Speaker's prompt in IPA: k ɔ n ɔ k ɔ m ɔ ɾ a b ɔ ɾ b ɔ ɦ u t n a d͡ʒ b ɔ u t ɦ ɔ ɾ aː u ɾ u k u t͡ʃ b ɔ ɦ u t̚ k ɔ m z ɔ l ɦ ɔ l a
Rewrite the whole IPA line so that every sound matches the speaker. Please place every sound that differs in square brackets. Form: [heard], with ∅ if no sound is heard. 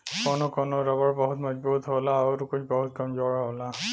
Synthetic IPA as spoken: k ɔ n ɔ k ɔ [n] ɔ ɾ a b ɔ [ɹ] b ɔ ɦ u t [m] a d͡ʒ b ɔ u t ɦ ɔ [l] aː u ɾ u k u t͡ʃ b ɔ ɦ u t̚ k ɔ m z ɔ [ɹ] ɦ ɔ l a